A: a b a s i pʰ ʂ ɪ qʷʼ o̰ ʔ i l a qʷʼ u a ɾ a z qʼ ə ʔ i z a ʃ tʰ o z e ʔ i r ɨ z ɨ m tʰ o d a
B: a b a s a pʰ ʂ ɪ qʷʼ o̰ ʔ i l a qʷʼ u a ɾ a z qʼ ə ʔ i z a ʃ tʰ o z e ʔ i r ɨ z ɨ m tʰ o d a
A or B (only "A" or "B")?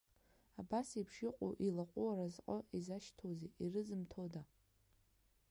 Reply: A